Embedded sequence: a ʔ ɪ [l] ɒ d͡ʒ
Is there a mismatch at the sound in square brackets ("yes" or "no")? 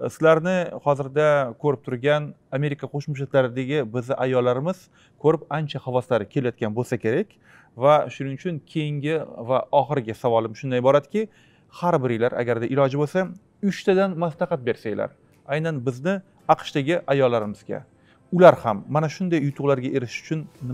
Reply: no